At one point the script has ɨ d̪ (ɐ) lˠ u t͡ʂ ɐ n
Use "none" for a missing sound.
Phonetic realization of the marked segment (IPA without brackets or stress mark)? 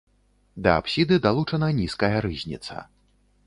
a